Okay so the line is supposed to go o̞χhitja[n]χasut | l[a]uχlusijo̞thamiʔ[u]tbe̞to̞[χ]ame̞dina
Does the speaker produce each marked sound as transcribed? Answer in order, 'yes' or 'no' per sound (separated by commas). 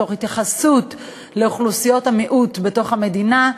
no, no, yes, yes